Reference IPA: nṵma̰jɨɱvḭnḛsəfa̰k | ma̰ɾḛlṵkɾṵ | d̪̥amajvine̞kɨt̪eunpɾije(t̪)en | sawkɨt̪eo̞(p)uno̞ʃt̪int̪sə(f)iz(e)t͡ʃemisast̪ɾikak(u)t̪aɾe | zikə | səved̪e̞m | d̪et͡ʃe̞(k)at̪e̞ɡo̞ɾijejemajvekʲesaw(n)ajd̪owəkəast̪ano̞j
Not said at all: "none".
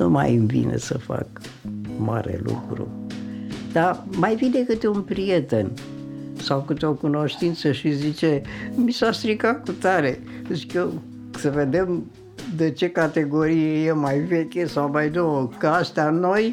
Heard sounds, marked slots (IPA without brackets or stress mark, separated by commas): t̪, k, ʃ, i, u, k, m